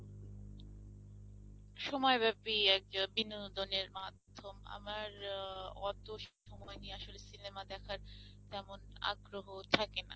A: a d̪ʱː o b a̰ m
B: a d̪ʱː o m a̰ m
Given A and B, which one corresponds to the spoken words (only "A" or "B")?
B